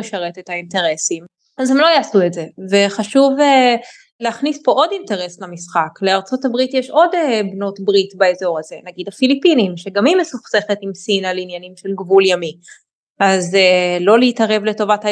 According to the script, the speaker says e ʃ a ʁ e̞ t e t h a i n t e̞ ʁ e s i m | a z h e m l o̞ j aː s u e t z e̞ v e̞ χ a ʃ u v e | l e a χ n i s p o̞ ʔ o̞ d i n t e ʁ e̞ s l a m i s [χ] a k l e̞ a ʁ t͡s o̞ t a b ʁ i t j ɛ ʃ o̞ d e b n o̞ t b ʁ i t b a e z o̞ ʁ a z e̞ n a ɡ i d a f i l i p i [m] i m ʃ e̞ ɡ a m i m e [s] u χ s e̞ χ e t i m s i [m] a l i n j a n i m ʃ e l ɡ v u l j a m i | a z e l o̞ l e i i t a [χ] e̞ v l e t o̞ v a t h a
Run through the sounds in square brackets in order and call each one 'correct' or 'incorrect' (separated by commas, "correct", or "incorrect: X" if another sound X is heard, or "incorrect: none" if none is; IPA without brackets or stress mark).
correct, incorrect: n, correct, incorrect: n, incorrect: ʁ